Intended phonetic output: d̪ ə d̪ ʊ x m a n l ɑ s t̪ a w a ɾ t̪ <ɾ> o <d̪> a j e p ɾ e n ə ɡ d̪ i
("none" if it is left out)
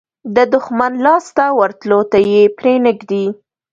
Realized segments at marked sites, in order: l, t̪

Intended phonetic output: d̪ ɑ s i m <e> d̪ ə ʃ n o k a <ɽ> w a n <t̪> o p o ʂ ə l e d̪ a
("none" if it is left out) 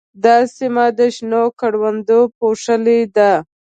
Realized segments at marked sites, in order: a, ɽ, d̪

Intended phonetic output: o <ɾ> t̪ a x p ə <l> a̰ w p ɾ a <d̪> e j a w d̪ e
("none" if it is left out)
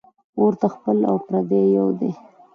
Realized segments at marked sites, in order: ɾ, l, d̪

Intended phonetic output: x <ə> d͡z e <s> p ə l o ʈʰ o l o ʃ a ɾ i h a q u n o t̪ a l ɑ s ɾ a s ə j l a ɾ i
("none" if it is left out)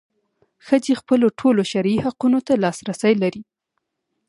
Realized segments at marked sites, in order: ə, x

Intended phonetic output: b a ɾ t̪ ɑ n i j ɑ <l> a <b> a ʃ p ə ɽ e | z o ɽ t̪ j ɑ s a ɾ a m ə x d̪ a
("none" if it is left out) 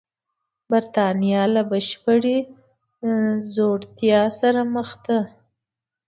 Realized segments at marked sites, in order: l, b

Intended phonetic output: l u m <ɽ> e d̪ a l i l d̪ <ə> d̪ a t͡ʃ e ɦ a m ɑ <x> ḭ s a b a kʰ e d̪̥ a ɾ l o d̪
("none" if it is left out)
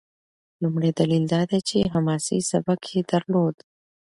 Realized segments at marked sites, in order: ɽ, ɑ, s

